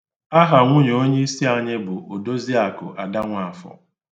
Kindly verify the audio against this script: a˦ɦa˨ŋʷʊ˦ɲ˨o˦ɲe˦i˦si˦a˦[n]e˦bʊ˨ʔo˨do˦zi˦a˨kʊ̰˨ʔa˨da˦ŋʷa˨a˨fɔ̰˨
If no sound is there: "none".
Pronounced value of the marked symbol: ɲ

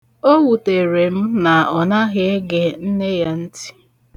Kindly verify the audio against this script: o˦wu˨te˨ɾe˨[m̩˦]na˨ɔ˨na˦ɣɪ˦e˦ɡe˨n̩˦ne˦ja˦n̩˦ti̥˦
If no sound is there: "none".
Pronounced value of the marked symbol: m̩˦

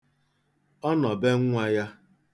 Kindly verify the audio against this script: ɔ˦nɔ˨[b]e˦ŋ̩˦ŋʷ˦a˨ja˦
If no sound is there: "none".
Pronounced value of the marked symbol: b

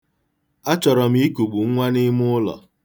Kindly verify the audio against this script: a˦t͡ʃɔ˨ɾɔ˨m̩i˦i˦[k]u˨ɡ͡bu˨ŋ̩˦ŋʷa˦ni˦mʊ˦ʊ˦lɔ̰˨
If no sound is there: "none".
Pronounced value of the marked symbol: k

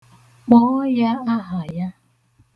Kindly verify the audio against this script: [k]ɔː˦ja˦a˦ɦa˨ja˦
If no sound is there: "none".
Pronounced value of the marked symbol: k͡p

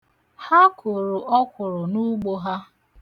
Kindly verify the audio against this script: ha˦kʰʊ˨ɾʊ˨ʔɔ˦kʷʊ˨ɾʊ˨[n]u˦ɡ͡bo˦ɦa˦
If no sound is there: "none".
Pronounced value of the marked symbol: n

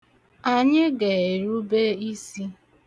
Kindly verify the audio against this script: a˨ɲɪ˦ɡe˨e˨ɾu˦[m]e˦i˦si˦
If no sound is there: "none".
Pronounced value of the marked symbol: b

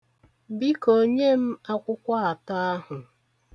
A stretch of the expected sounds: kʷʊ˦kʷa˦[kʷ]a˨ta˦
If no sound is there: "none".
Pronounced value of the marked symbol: none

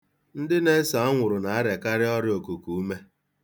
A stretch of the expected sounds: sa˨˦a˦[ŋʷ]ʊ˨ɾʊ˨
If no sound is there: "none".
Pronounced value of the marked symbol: ŋʷ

